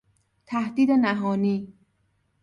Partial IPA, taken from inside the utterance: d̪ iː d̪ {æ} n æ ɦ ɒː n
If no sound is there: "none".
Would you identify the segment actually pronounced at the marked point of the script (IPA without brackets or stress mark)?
e